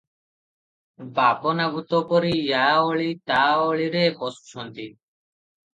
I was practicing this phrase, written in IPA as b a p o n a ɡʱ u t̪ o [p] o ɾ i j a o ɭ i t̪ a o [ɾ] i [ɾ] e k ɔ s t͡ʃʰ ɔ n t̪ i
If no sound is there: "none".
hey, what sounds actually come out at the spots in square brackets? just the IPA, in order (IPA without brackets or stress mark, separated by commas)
p, ɭ, ɾ